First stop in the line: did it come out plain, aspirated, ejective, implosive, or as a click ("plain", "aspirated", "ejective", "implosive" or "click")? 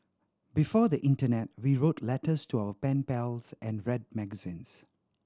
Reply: plain